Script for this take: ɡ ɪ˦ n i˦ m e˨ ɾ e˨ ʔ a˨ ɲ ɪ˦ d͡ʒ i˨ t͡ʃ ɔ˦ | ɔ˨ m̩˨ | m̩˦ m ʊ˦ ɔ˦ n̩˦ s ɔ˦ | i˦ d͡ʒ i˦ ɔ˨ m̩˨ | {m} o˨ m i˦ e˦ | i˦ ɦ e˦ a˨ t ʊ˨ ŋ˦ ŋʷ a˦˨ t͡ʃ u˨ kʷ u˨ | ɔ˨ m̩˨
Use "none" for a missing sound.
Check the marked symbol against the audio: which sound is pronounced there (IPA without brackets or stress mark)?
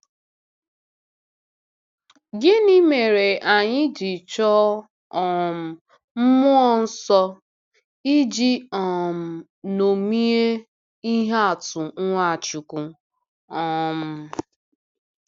n